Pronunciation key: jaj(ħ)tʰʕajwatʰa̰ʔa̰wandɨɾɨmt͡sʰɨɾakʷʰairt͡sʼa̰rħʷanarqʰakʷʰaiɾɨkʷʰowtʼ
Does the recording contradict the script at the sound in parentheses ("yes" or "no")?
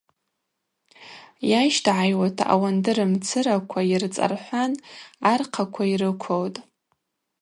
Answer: yes